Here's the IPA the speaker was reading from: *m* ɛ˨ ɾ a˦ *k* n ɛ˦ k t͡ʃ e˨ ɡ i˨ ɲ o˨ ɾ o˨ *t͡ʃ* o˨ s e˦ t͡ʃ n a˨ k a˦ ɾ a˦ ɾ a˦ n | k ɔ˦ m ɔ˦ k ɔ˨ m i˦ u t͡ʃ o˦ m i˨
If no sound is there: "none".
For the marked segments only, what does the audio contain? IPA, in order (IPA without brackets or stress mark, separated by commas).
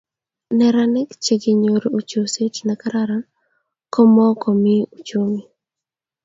n, none, t͡ʃ